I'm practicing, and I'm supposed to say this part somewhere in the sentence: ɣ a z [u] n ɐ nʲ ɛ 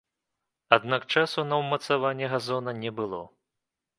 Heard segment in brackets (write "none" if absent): ɔ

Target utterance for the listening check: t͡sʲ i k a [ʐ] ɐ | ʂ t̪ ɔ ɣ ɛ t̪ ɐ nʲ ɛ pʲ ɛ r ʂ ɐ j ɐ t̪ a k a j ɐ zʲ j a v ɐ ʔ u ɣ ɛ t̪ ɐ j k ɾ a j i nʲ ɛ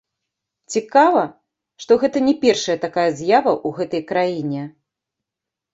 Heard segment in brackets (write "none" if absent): v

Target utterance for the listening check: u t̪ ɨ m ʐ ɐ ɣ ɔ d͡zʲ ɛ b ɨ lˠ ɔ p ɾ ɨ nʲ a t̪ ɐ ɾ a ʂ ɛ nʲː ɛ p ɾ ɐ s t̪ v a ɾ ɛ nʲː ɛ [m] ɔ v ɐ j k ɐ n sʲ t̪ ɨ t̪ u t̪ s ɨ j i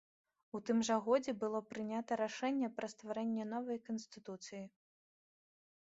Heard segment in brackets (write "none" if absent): n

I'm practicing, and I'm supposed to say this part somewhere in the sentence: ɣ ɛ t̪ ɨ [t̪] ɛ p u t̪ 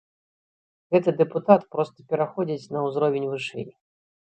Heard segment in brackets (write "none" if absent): d̪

